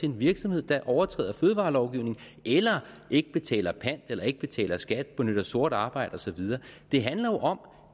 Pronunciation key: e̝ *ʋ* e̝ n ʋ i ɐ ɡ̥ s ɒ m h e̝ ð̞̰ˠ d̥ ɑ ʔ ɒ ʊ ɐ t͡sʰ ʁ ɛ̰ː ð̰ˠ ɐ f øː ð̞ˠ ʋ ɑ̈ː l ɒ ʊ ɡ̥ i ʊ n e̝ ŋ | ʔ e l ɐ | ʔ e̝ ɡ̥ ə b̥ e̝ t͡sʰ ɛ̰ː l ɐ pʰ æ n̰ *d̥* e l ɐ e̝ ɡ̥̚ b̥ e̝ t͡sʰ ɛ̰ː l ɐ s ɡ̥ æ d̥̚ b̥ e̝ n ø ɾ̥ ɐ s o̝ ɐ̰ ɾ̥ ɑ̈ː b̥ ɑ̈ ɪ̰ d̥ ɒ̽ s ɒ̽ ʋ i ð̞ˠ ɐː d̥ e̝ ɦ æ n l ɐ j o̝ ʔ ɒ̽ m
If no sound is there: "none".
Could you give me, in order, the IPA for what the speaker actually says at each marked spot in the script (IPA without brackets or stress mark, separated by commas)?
none, d̥